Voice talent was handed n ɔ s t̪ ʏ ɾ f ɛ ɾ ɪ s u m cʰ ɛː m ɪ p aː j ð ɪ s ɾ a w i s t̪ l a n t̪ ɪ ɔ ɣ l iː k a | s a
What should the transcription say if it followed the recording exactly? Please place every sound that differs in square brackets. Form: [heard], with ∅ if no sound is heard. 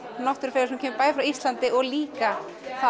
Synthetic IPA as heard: n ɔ [h] t̪ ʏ ɾ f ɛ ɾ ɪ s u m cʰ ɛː m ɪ p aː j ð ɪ [f] ɾ a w i s t̪ l a n t̪ ɪ ɔ ɣ l iː k a | [θ] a